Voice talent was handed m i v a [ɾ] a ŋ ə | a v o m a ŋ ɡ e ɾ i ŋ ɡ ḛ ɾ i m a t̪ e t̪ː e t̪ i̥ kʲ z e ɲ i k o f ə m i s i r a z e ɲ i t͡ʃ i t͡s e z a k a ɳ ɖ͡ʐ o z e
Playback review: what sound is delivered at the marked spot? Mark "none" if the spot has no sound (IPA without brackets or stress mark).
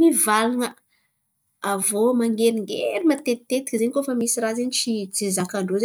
l